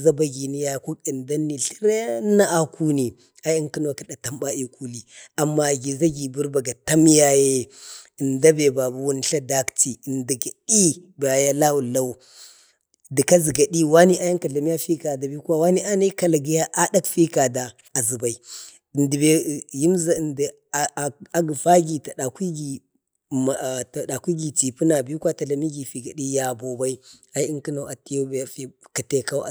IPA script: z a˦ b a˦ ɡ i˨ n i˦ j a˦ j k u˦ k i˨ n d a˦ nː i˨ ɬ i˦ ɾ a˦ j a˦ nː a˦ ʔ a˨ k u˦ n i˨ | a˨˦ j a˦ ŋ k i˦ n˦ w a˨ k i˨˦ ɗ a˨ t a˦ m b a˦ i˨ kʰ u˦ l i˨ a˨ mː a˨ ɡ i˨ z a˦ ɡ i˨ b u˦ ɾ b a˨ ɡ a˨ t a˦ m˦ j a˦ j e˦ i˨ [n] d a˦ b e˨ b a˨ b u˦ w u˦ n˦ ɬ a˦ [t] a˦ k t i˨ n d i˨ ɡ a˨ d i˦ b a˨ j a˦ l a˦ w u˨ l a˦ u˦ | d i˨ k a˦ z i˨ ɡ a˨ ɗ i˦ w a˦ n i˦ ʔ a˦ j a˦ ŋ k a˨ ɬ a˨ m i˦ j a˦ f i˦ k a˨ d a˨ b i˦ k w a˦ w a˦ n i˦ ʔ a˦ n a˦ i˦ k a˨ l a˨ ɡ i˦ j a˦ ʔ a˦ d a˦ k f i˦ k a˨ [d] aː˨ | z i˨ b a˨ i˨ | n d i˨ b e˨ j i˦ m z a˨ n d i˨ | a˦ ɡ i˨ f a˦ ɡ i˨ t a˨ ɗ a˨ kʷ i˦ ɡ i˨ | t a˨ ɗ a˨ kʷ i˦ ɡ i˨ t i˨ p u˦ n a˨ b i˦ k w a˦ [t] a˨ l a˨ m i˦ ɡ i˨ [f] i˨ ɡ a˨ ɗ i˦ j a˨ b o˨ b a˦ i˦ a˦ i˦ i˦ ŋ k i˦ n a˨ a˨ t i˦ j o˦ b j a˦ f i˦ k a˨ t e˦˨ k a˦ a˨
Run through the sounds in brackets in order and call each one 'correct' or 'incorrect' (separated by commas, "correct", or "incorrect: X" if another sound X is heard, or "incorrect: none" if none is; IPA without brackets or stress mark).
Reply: correct, incorrect: d, correct, correct, correct